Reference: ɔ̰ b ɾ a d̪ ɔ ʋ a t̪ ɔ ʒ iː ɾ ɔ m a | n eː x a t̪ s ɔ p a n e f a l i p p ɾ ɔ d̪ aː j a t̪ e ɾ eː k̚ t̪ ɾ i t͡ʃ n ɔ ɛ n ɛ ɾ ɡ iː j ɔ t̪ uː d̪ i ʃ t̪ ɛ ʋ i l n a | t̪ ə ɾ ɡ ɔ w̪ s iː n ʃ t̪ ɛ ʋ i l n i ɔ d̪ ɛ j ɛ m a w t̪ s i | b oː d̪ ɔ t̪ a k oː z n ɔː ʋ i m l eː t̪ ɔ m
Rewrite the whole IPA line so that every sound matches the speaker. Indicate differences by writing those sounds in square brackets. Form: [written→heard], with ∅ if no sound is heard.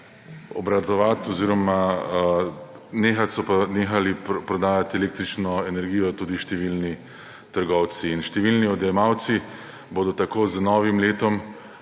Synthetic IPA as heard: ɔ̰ b ɾ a d̪ ɔ ʋ a t̪ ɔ [ʒ→z] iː ɾ ɔ m a | n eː x a t̪ s ɔ p a n e [f→x] a l i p p ɾ ɔ d̪ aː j a t̪ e [ɾ→l] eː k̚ t̪ ɾ i t͡ʃ n ɔ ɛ n ɛ ɾ ɡ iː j ɔ t̪ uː d̪ i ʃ t̪ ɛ ʋ i l n [a→i] | t̪ ə ɾ ɡ ɔ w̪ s iː n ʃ t̪ ɛ ʋ i l n i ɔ d̪ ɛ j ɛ m a w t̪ s i | b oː d̪ ɔ t̪ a k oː z n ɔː ʋ i m l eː t̪ ɔ m